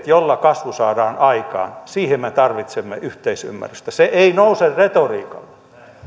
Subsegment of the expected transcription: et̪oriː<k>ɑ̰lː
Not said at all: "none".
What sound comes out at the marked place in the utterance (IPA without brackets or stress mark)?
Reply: k